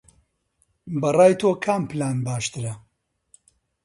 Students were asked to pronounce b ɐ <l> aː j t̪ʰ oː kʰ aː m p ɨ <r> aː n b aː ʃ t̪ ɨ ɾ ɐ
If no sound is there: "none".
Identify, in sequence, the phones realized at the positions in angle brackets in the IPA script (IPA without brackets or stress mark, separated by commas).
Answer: r, l